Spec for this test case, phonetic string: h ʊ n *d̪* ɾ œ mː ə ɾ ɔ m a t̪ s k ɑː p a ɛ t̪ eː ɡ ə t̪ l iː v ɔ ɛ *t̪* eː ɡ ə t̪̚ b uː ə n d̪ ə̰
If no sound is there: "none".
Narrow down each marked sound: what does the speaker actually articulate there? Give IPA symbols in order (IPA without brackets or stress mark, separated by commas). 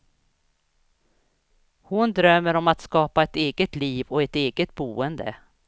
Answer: d̪, t̪